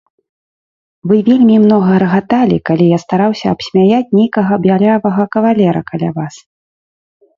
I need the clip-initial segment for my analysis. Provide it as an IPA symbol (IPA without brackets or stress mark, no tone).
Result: v